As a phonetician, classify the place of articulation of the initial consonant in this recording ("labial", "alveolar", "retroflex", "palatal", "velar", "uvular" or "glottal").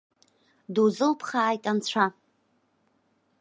alveolar